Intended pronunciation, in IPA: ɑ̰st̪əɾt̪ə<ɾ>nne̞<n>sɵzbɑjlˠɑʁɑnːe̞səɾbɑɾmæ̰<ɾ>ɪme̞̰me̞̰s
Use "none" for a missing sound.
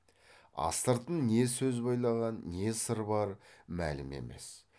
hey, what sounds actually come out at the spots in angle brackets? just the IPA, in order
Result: none, none, l

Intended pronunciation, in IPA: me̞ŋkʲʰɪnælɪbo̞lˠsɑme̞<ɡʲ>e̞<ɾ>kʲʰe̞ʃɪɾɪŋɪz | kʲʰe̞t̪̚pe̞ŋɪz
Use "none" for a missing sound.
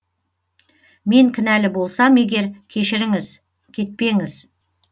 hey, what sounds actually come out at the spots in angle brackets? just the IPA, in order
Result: ɡʲ, ɾ

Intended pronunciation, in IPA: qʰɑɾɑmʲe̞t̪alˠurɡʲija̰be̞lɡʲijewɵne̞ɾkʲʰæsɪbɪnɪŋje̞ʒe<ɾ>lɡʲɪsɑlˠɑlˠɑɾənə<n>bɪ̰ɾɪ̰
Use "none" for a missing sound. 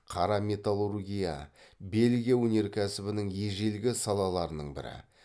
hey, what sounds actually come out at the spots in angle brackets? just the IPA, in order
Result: none, ɴ

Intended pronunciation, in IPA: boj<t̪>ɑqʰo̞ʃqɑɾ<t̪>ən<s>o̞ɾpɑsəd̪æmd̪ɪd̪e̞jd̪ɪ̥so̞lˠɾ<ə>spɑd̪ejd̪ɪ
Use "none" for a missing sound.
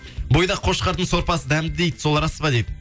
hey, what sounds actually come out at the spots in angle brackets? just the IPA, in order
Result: d̪, t̪, s, ɑ

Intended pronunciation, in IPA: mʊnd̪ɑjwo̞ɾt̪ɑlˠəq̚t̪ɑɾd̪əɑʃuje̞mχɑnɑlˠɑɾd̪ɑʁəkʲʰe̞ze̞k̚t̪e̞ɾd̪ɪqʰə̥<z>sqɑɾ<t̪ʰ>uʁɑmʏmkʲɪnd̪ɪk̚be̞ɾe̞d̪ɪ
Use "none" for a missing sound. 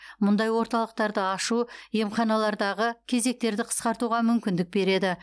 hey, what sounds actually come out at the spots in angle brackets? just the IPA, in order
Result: none, t̪

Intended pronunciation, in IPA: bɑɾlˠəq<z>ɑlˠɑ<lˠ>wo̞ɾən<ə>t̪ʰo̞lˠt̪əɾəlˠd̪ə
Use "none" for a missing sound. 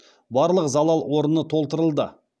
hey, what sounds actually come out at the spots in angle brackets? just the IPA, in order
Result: z, lˠ, ə

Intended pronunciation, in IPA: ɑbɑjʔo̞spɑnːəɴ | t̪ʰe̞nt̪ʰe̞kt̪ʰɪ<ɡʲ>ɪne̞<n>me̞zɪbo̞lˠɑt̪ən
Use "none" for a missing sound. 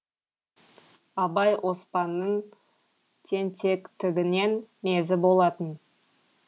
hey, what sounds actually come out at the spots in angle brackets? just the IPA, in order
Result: ɡʲ, n

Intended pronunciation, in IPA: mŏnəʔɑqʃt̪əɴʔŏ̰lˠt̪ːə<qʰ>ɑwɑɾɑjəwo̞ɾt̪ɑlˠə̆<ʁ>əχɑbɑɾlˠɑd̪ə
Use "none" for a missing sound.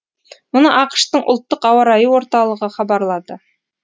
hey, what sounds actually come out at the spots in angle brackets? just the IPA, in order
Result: q, ʁ

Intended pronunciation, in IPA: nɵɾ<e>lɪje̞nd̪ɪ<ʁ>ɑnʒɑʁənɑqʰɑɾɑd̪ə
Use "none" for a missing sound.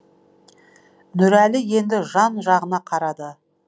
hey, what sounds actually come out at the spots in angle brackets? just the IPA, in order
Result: æ, ʒ

